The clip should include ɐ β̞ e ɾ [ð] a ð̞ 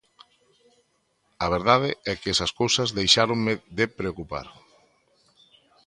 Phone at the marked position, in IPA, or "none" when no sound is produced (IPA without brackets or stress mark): ð